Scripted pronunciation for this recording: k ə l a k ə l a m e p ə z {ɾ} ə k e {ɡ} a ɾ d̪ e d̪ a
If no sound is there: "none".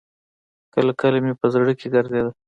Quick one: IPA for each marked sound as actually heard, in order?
ɽ, ɡ

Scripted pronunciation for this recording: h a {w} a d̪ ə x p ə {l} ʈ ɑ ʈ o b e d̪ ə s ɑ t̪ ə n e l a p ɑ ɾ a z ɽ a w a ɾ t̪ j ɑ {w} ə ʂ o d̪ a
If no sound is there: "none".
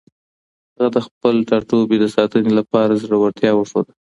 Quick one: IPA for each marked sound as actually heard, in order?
ɣ, l, w

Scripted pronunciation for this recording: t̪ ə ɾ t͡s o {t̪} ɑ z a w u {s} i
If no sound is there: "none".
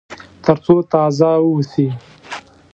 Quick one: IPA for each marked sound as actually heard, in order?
t̪, s

